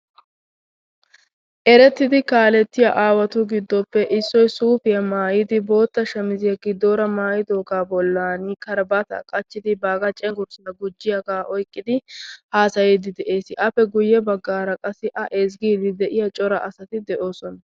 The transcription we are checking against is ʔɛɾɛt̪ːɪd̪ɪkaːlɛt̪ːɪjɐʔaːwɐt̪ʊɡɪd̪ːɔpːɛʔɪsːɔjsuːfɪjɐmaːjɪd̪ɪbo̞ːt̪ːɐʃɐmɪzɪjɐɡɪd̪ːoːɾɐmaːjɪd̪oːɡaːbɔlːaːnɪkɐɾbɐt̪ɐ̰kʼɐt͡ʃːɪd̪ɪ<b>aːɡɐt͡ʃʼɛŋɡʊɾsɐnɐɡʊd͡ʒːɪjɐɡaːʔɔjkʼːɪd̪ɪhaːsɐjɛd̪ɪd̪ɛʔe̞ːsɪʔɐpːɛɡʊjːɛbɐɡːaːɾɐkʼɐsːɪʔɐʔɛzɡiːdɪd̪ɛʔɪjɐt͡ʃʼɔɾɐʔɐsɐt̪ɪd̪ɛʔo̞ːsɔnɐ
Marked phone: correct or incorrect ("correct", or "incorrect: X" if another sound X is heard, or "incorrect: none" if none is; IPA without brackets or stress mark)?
correct